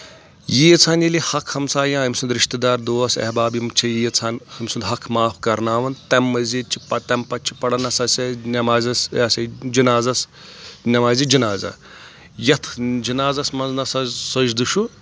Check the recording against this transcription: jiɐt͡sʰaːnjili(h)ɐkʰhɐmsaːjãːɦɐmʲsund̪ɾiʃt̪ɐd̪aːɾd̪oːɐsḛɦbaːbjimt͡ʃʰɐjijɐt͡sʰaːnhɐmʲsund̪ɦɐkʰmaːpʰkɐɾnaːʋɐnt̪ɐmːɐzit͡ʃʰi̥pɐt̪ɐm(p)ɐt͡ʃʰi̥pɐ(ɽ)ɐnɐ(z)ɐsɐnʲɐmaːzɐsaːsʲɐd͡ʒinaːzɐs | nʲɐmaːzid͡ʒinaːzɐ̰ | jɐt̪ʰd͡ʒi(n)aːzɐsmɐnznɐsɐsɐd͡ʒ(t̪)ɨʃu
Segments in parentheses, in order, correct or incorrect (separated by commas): correct, correct, correct, incorrect, correct, incorrect